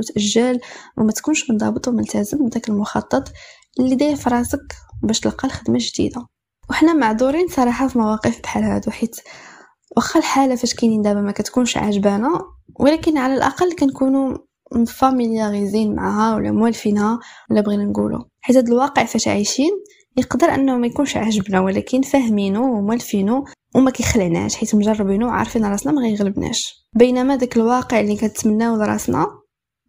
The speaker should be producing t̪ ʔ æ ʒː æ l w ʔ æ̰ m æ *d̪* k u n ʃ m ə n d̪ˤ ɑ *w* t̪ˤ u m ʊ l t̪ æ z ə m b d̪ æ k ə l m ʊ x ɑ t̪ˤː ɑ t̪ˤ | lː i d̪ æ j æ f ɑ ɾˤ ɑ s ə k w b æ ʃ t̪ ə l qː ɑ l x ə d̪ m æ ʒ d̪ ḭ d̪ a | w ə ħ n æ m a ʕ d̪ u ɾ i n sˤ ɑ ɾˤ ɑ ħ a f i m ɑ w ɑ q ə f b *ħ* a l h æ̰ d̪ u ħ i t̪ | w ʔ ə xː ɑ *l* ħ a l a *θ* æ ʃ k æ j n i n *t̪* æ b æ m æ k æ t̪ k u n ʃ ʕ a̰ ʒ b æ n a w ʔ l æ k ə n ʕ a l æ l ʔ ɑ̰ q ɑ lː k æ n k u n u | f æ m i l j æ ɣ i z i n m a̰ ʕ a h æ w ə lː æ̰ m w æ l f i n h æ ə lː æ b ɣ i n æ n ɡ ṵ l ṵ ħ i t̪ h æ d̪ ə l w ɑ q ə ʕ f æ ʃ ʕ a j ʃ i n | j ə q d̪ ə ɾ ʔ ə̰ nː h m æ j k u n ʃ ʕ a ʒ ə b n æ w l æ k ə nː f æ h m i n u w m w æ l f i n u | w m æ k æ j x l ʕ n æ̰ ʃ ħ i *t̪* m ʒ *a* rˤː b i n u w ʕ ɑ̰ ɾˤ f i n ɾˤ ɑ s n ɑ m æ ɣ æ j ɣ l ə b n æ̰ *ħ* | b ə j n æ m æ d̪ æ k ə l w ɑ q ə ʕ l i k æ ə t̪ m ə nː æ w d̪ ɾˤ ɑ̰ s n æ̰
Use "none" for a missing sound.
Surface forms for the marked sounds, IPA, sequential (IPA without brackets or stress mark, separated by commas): t̪, b, ħ, l, f, d̪, t̪, ɑ, ʃ